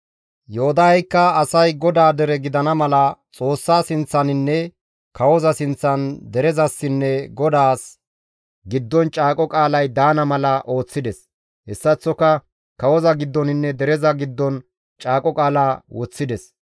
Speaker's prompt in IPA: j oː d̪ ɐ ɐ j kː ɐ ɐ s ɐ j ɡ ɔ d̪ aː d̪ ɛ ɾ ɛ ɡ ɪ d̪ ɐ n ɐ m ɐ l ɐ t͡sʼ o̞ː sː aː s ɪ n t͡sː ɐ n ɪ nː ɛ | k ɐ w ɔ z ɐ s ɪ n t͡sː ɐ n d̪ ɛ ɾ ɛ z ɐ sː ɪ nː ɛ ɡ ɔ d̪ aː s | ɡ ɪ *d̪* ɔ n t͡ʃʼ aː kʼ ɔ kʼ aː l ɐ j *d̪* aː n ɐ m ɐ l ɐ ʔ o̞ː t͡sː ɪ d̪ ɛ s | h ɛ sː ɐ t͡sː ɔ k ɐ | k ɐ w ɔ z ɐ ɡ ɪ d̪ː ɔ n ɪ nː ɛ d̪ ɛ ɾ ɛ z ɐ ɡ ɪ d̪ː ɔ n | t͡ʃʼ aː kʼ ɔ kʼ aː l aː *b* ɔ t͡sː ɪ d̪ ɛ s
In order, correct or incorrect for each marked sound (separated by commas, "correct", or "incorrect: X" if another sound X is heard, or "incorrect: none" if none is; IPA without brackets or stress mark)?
incorrect: d̪ː, correct, incorrect: w